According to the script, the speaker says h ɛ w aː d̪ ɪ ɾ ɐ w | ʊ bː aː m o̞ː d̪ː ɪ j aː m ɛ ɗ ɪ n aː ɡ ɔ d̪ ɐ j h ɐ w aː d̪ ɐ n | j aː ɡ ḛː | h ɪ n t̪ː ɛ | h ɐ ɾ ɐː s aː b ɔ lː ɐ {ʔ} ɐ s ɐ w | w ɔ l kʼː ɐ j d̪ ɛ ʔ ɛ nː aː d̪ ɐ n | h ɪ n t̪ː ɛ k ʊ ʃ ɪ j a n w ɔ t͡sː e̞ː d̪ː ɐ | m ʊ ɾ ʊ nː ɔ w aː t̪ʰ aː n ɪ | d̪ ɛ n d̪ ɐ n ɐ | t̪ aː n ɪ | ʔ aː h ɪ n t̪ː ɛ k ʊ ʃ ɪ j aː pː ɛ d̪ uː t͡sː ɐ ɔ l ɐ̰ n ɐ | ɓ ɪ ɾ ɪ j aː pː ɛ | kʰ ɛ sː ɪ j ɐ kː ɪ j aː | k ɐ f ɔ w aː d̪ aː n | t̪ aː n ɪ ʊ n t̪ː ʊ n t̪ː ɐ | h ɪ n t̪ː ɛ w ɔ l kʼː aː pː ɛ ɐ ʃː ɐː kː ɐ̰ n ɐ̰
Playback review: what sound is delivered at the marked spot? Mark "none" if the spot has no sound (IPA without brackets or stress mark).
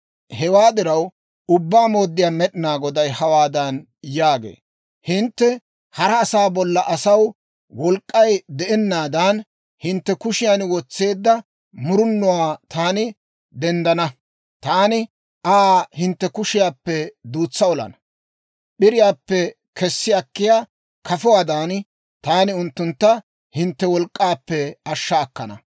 ʔ